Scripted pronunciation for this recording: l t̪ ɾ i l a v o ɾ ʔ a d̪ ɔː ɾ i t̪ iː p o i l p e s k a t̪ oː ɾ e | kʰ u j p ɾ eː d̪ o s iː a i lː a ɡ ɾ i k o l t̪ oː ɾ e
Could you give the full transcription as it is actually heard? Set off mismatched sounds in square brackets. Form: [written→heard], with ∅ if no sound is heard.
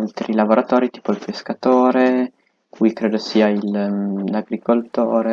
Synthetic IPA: l t̪ ɾ i l a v o ɾ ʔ a [d̪→t̪] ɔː ɾ i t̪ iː p o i l p e s k a t̪ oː ɾ e | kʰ u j [p→k] ɾ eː d̪ o s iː a i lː a ɡ ɾ i k o l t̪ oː ɾ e

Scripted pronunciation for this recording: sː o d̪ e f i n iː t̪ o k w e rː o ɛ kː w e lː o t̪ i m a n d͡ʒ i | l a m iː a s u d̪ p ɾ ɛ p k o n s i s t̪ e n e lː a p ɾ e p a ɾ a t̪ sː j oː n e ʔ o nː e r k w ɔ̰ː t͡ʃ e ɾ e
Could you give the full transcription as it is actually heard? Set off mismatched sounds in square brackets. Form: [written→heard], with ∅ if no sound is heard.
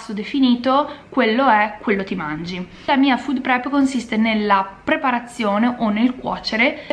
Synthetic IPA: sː o d̪ e f i n iː t̪ o k w e [rː→lː] o ɛ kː w e lː o t̪ i m a n d͡ʒ i | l a m iː a [s→f] u d̪ p ɾ ɛ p k o n s i s t̪ e n e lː a p ɾ e p a ɾ a t̪ sː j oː n e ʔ o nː e [r→l] k w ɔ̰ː t͡ʃ e ɾ e

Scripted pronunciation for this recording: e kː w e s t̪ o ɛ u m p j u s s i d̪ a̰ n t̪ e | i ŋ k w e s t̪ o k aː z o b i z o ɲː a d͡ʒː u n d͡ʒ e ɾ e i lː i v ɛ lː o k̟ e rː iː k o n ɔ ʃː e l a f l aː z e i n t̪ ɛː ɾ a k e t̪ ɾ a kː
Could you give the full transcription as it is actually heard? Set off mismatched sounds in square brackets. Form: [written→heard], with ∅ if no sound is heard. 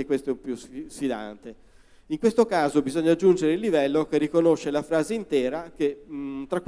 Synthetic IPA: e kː w e s t̪ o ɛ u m p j u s s i d̪ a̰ n t̪ e | i ŋ k w e s t̪ o k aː z o b i z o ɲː a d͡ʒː u n d͡ʒ e ɾ e i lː i v ɛ lː o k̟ e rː [iː→i] k o n [ɔ→o] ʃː e l a f [l→ɾ] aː z e i n t̪ ɛː ɾ a k e t̪ ɾ a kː

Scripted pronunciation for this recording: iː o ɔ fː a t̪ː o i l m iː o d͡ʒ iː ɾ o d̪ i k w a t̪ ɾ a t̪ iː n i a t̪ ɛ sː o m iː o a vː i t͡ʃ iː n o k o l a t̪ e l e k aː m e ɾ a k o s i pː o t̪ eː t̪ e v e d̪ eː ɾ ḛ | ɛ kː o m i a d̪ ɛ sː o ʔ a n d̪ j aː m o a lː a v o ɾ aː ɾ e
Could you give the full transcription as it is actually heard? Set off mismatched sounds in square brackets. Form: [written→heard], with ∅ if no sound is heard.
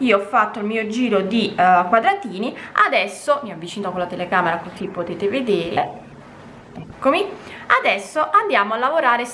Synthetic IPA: iː o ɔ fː a t̪ː o i l m iː o d͡ʒ iː ɾ o d̪ i k w a [t̪→d̪] ɾ a t̪ iː n i a [t̪→d̪] ɛ sː o m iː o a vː i t͡ʃ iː n o k o l a t̪ e l e k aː m e ɾ a k o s i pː o t̪ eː t̪ e v e d̪ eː ɾ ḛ | ɛ kː o m i a d̪ ɛ sː o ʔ a n d̪ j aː m o a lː a v o ɾ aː ɾ e

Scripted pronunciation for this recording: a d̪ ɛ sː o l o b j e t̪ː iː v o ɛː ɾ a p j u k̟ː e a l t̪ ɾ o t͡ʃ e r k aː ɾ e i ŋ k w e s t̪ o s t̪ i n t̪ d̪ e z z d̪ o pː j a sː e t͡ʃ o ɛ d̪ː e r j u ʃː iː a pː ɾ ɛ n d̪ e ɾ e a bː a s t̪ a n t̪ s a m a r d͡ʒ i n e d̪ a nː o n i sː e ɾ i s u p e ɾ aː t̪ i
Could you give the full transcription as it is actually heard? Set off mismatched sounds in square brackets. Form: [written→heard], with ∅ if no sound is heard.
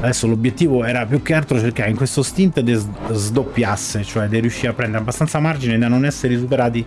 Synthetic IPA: a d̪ ɛ sː o l o b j e t̪ː iː v o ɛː ɾ a p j u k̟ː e a l t̪ ɾ o t͡ʃ e r k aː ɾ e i ŋ k w e s t̪ o s t̪ i n t̪ d̪ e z z d̪ o pː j a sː e t͡ʃ o ɛ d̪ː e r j u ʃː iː a pː ɾ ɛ n d̪ e ɾ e a bː a s t̪ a n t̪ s a m a r d͡ʒ i n e d̪ a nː o n [i→ɛ] sː e ɾ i s u p e ɾ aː t̪ i

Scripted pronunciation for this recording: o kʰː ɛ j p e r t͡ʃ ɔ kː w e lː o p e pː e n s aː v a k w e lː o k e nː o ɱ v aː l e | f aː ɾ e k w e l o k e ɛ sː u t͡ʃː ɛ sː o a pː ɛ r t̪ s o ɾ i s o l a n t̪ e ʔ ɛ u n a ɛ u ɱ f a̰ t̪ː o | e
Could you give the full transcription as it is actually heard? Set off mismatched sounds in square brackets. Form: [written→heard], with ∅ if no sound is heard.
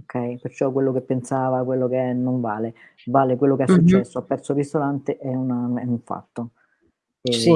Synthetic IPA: o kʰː ɛ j p e r t͡ʃ ɔ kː w e lː o [p→k] e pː e n s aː v a k w e lː o k e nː o ɱ v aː l e | [f→v] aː [ɾ→l] e k w e [l→lː] o k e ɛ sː u t͡ʃː ɛ sː o a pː ɛ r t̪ s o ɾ i s o l a n t̪ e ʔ ɛ u n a ɛ u ɱ f a̰ t̪ː o | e

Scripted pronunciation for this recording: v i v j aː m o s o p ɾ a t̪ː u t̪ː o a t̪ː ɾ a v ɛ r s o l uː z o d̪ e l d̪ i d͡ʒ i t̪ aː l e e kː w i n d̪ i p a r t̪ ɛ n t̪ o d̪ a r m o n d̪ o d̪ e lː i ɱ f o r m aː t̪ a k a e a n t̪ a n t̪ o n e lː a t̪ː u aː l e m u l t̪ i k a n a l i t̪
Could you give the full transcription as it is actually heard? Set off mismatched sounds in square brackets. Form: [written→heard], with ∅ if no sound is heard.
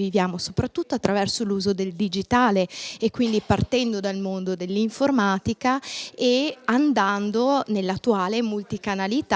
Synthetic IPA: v i v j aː m o s o p ɾ a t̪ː u t̪ː o a t̪ː ɾ a v ɛ r s o l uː z o d̪ e l d̪ i d͡ʒ i t̪ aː l e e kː w i n d̪ i p a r t̪ ɛ n [t̪→d̪] o d̪ a [r→l] m o n d̪ o d̪ e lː i ɱ f o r m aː t̪ [a→i] k a e a n [t̪→d̪] a n [t̪→d̪] o n e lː a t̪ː u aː l e m u l t̪ i k a n a l i t̪

